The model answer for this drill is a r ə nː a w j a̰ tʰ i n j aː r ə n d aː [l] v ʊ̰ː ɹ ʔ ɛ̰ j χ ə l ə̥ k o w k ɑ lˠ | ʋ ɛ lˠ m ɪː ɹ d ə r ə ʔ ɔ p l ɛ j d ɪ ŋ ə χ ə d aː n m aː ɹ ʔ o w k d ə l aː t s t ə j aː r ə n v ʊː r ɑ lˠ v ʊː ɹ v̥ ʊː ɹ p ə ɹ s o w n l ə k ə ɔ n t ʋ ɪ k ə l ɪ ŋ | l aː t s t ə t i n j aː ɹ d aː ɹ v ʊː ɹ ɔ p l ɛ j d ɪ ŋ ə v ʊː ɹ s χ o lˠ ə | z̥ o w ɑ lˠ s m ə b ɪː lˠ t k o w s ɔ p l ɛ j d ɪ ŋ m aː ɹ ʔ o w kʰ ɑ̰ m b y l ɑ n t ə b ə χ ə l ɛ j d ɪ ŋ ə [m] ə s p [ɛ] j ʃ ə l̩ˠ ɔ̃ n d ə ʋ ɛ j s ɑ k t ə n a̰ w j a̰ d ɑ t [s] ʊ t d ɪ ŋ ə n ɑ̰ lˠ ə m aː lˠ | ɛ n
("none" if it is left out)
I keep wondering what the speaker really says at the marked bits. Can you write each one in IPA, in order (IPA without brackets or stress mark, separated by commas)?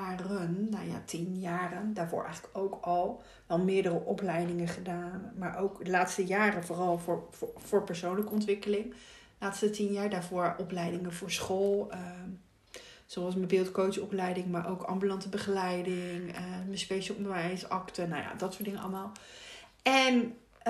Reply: ɹ, m, e, s